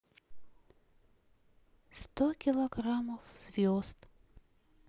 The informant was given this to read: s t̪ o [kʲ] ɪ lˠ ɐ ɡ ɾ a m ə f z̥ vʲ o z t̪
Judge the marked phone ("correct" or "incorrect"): correct